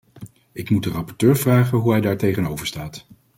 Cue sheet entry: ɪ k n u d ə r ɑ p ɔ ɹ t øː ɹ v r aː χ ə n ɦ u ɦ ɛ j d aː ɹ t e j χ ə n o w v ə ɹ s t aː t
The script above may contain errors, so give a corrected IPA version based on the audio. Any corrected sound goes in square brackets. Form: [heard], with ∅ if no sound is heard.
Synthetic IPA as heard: ɪ k [m] u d ə r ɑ p ɔ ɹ t øː ɹ v r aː χ ə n ɦ u ɦ ɛ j d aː ɹ t e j χ ə n o w v ə ɹ s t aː t